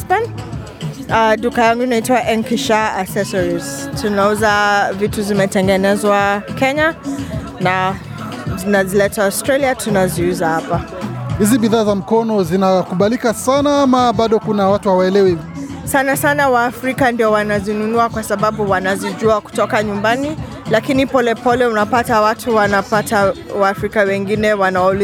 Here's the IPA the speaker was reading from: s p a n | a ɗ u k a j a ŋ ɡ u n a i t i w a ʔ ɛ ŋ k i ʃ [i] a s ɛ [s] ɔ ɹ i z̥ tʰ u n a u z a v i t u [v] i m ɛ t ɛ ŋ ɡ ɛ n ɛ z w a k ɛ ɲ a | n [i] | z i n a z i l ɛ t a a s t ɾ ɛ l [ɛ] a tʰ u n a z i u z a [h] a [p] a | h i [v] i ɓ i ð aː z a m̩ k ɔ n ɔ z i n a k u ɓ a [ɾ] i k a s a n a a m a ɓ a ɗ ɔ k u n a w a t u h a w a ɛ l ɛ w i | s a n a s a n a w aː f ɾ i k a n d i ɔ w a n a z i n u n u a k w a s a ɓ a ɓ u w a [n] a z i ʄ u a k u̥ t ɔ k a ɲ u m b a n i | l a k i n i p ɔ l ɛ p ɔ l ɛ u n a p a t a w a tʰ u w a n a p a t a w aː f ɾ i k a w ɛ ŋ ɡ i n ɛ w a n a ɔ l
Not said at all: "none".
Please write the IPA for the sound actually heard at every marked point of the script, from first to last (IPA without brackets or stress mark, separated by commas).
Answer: a, s, z, a, i, h, p, z, l, n